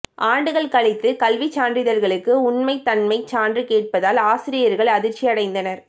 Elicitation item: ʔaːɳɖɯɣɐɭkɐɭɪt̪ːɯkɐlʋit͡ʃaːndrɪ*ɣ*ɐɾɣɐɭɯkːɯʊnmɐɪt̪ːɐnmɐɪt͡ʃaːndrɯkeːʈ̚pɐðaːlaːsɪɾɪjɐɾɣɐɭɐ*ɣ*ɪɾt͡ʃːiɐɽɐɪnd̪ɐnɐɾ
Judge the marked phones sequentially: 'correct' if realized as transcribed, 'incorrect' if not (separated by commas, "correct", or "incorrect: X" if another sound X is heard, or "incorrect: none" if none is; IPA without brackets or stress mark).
incorrect: ð, incorrect: ð